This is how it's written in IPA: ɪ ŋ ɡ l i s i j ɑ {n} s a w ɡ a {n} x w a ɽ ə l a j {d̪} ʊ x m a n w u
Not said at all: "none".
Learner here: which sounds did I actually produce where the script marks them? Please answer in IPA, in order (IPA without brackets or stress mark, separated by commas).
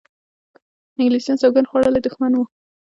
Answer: n, n, d̪